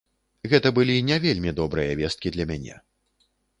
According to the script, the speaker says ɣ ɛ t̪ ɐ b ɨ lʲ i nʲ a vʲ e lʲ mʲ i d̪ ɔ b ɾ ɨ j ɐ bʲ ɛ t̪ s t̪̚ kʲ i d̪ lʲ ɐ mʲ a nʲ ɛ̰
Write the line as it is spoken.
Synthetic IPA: ɣ ɛ t̪ ɐ b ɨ lʲ i nʲ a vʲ e lʲ mʲ i d̪ ɔ b ɾ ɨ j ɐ vʲ ɛ s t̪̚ kʲ i d̪ lʲ ɐ mʲ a nʲ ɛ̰